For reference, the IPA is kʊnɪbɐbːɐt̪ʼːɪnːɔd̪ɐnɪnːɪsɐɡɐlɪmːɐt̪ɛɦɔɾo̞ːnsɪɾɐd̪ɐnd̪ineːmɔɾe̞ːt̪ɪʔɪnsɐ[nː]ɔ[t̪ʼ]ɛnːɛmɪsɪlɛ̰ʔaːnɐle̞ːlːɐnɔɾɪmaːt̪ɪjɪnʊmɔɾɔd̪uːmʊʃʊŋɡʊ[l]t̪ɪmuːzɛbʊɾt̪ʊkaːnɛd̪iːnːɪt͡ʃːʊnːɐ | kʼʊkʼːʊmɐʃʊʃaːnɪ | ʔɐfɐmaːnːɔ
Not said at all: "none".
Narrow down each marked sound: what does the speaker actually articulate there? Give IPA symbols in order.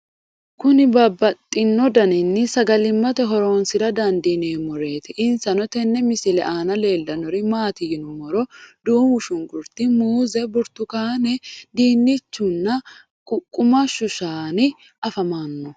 n, t̪, ɾ

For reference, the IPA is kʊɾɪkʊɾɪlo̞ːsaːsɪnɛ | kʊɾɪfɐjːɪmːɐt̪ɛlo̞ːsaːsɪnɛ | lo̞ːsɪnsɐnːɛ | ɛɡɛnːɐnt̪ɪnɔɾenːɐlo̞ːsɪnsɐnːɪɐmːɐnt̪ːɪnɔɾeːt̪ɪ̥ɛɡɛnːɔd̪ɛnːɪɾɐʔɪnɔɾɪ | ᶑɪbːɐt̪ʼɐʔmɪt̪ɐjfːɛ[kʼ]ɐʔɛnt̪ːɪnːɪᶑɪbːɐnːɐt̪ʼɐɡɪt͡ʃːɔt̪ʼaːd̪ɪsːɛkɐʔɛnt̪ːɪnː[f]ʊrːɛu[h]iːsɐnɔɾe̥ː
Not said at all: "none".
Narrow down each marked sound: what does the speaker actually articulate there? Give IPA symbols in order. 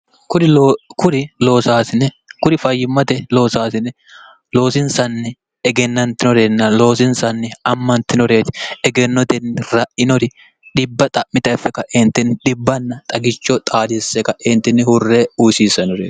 k, h, s

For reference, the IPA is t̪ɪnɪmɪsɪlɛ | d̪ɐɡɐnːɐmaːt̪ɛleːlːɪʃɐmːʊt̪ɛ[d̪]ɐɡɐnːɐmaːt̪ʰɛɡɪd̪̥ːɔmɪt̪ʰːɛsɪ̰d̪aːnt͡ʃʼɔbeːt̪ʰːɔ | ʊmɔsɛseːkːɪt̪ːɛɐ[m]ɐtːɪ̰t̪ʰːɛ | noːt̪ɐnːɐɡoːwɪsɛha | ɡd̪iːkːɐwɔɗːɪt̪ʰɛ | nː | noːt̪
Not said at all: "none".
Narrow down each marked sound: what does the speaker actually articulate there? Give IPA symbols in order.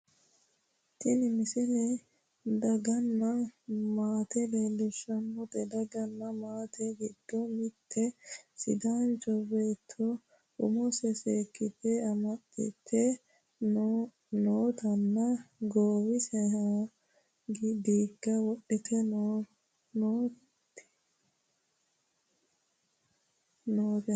d̪, m

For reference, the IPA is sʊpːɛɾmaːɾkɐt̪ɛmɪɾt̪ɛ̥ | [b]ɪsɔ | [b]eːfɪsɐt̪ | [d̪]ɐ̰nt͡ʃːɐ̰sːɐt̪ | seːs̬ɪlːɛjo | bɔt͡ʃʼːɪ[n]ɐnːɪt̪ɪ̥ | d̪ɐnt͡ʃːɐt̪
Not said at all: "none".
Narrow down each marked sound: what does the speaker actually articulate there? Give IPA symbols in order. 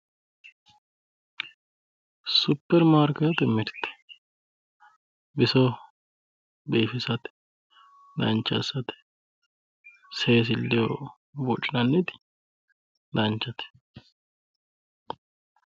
b, b, d̪, n

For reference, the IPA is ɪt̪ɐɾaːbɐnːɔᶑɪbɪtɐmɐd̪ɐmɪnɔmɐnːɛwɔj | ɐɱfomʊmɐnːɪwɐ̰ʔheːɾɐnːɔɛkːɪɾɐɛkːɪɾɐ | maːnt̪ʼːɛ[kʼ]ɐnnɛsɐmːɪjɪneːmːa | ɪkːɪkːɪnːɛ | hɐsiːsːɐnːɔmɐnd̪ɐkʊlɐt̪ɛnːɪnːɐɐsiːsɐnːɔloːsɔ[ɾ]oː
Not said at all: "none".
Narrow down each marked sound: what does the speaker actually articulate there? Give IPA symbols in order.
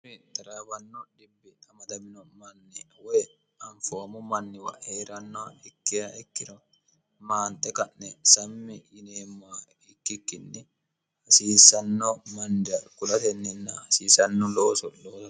k, l

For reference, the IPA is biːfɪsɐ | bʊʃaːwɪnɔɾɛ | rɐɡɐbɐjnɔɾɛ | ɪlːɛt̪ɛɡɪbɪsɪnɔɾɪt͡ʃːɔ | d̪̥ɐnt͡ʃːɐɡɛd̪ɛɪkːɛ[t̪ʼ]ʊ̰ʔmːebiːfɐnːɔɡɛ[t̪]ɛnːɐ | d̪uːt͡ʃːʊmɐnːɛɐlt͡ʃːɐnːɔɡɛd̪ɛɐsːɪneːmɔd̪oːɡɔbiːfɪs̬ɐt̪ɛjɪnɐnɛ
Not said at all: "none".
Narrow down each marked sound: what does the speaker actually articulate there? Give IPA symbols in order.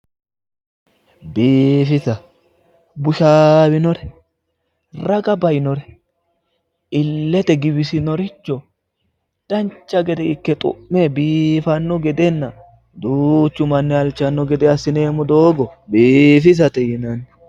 t̪ʼ, d̪

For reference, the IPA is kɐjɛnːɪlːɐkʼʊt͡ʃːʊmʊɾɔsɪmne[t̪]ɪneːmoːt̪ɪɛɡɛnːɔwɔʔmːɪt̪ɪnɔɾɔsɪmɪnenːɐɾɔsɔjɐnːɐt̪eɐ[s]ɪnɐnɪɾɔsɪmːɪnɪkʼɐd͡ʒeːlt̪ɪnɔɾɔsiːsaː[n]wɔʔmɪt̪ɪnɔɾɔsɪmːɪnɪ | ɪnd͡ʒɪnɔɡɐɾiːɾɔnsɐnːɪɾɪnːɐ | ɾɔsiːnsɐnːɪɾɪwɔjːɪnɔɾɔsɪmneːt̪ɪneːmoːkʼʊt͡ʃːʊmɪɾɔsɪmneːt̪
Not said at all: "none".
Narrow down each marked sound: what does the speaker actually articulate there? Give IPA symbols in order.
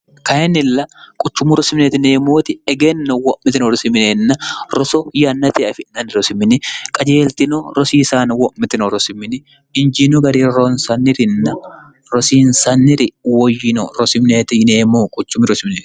t̪, f, n

